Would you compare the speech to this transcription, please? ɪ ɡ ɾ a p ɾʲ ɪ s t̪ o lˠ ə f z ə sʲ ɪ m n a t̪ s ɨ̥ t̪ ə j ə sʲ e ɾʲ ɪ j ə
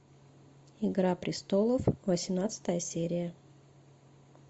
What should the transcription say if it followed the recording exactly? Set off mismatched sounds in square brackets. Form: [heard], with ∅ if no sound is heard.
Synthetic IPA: ɪ ɡ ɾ a p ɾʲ ɪ s t̪ o lˠ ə f [v] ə sʲ ɪ m n a t̪ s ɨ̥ t̪ ə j ə sʲ e ɾʲ ɪ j ə